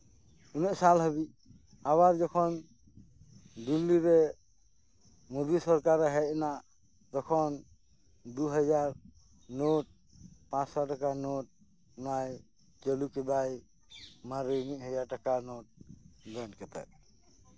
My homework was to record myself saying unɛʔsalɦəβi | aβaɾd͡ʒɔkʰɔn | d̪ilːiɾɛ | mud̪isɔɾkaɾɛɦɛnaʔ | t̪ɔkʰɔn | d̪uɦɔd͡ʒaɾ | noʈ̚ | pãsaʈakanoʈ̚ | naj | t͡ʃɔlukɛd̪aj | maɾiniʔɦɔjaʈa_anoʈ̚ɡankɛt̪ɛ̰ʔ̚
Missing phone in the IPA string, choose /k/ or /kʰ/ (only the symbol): k